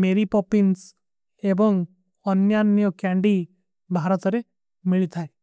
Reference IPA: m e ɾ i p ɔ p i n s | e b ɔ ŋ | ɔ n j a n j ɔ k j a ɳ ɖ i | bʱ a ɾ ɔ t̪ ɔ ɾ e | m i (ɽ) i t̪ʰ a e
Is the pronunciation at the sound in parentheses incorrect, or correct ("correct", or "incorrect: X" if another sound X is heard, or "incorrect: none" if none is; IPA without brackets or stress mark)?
incorrect: ɭ